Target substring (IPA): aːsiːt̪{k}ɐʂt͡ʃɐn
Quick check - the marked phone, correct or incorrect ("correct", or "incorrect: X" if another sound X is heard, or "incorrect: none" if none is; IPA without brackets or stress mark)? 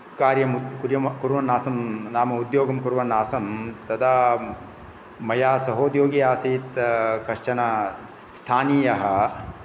correct